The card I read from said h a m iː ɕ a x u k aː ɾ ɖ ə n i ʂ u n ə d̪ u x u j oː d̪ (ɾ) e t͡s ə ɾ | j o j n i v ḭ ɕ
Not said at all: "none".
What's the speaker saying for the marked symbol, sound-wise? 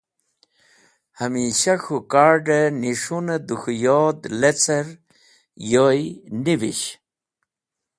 l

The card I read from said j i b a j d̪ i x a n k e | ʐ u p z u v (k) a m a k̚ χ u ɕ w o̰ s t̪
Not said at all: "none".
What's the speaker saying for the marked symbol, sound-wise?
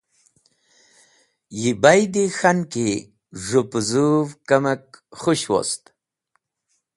k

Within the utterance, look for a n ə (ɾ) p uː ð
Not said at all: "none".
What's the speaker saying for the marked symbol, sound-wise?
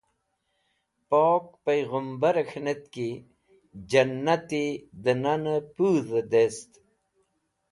none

